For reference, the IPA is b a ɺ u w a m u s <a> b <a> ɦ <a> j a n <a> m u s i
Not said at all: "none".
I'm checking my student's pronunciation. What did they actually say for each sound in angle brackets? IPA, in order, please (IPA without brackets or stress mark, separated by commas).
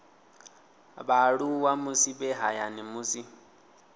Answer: i, ɛ, a, i